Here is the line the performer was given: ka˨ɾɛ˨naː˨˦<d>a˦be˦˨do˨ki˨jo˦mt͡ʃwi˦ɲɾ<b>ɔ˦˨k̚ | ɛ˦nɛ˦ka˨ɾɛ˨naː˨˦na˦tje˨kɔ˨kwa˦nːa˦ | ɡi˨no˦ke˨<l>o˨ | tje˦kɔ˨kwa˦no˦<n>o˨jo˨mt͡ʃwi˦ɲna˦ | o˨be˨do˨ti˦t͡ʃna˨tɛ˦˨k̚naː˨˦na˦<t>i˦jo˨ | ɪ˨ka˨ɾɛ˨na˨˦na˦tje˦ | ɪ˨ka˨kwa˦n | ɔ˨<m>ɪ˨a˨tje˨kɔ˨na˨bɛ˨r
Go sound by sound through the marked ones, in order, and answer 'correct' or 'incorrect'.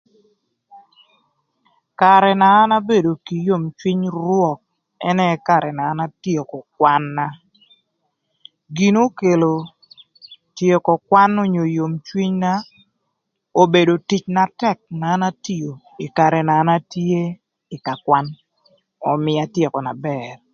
incorrect, incorrect, correct, incorrect, correct, correct

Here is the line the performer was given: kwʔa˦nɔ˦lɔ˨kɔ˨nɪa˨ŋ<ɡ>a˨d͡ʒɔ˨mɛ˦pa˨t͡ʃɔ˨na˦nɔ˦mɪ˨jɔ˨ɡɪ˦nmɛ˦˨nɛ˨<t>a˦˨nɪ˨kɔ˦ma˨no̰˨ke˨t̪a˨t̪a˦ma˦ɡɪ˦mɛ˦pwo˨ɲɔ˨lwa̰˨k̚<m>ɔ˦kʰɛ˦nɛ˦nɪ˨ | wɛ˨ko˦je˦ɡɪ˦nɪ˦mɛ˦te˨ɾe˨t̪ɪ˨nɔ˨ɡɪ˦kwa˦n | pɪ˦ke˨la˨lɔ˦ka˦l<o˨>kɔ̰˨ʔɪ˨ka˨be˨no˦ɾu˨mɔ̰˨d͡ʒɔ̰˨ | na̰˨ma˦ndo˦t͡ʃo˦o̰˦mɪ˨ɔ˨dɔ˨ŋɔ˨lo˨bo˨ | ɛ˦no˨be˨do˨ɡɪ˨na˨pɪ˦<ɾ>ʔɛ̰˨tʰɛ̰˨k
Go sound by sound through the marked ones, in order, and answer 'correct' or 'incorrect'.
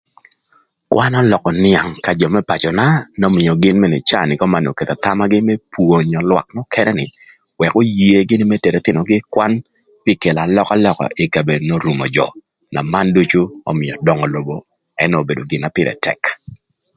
incorrect, incorrect, incorrect, incorrect, correct

